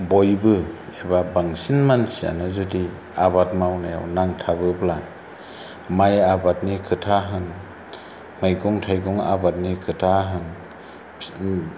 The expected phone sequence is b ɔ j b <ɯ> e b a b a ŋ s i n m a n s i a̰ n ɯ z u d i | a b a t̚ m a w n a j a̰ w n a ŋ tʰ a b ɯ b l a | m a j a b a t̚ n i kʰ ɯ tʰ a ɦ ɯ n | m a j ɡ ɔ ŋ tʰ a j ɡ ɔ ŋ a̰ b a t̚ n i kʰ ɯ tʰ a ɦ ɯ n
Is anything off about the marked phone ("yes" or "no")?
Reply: no